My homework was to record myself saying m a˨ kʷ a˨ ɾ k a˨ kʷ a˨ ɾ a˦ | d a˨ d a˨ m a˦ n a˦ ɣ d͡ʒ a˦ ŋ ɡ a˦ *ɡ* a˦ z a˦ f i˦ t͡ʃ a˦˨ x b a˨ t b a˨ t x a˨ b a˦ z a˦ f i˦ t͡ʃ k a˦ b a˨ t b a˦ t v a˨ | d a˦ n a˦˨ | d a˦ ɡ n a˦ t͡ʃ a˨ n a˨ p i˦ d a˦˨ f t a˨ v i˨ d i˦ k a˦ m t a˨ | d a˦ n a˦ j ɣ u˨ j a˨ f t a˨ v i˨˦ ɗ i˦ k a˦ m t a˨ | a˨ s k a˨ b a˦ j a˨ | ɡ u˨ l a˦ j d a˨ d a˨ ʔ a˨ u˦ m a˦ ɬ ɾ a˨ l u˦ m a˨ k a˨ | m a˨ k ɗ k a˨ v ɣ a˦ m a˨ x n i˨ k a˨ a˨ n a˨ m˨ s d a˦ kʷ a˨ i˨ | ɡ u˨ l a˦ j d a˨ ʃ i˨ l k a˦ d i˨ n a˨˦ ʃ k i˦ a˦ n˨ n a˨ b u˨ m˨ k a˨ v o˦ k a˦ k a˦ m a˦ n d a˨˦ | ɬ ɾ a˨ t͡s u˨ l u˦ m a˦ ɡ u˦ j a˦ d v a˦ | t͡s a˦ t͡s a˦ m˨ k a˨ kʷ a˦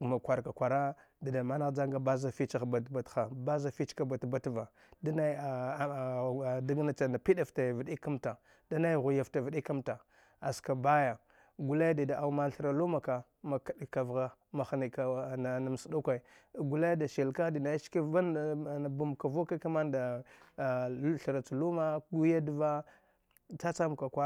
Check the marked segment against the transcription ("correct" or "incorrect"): incorrect